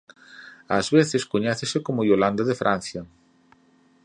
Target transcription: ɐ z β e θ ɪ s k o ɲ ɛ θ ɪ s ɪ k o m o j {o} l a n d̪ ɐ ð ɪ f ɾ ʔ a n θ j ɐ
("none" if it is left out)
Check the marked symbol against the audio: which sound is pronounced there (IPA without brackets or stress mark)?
o